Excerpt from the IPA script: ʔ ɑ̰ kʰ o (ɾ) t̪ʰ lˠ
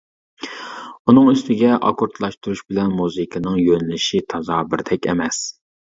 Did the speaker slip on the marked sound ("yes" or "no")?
no